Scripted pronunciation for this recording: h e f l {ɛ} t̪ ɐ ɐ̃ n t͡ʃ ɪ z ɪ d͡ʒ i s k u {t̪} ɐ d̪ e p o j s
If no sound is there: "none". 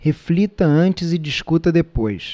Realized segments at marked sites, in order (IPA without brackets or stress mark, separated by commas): i, t̪